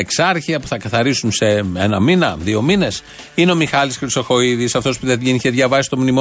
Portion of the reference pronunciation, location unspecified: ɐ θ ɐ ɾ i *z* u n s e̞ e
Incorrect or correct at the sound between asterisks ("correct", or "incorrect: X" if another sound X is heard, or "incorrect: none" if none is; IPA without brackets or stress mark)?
incorrect: s